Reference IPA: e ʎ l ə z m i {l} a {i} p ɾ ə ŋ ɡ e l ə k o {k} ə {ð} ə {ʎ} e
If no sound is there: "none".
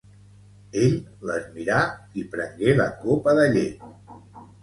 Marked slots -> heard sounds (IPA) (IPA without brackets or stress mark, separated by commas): ɾ, i, p, ð, ʎ